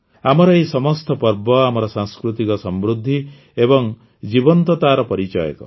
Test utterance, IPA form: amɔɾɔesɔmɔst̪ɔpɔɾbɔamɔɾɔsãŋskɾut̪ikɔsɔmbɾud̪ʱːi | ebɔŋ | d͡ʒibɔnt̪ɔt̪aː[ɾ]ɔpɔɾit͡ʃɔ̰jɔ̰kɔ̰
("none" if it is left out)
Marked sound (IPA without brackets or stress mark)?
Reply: ɾ